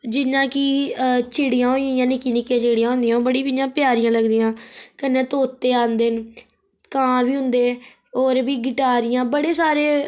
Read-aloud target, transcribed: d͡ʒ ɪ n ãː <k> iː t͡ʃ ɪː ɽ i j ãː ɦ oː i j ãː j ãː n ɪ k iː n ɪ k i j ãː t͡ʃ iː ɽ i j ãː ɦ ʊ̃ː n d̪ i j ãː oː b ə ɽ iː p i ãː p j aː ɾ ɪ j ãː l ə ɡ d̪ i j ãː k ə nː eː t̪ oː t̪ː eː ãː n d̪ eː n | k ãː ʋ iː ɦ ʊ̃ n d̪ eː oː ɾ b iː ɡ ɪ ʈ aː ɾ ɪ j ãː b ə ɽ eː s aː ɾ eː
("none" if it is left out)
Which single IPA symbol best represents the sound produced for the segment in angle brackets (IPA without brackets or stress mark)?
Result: k